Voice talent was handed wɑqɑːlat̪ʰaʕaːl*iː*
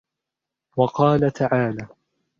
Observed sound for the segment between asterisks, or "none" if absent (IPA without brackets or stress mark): aː